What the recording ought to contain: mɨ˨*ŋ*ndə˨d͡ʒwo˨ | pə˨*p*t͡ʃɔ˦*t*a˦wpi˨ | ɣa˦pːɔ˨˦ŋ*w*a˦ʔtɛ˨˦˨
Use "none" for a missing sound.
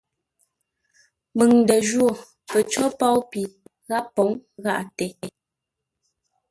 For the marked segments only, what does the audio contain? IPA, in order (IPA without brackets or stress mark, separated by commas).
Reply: ŋ, none, p, ɣ